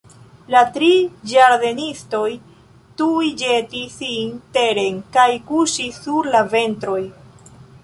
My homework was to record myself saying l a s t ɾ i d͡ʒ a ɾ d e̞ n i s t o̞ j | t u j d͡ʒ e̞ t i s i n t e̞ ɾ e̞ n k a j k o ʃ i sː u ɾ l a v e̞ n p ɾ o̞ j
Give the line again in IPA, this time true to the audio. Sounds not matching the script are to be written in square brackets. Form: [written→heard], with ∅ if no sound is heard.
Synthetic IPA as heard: l a [s→∅] t ɾ i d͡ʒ a ɾ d e̞ n i s t o̞ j | t u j d͡ʒ e̞ t i s i n t e̞ ɾ e̞ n k a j k [o→u] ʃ i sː u ɾ l a v e̞ n [p→t] ɾ o̞ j